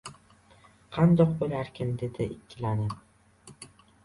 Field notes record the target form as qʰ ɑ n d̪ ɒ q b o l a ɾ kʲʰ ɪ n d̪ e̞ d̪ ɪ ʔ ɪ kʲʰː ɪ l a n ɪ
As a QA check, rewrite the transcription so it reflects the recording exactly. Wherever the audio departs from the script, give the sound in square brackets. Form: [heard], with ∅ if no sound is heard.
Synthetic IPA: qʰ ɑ n d̪ ɒ q b o l a ɾ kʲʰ ɪ n d̪ e̞ d̪ ɪ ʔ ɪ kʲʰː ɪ l a n ɪ